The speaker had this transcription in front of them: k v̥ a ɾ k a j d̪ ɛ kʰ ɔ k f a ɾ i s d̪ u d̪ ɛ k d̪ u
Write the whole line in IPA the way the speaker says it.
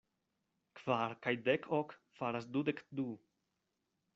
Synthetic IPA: k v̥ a ɾ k a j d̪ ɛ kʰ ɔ k f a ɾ a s d̪ u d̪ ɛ k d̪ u